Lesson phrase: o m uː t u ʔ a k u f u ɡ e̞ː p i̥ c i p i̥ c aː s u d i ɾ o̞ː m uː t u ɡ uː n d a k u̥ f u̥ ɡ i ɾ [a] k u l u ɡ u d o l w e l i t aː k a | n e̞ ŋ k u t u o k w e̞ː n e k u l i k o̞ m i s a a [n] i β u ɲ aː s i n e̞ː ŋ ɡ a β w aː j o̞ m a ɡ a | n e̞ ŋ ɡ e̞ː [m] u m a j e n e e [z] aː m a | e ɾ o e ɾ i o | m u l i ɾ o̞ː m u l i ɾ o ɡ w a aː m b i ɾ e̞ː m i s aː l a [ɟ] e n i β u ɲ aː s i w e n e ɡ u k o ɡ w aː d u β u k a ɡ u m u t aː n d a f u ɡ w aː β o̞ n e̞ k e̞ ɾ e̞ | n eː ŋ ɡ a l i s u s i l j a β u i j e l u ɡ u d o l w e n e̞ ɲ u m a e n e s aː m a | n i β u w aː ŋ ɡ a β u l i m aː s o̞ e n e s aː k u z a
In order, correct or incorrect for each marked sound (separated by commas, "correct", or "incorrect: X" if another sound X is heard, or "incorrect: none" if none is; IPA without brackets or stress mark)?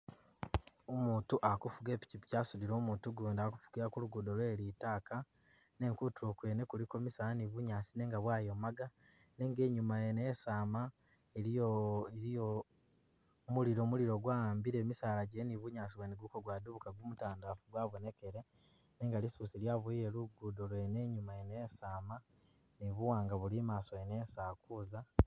correct, correct, incorrect: ɲ, incorrect: s, correct